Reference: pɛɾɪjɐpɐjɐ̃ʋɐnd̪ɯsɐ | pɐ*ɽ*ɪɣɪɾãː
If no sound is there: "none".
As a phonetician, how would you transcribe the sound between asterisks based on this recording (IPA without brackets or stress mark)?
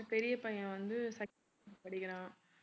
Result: ɽ